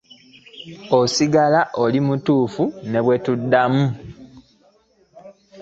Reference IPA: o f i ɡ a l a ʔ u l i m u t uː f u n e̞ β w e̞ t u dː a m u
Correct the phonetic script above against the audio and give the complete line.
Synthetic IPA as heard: o s i ɡ a l a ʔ o l i m u t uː f u n e̞ β w e̞ t u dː a m u